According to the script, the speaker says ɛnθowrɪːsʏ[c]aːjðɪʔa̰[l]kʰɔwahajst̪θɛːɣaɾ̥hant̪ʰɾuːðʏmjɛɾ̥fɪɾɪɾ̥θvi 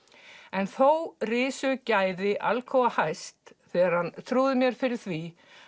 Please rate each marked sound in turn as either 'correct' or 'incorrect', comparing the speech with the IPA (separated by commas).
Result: correct, correct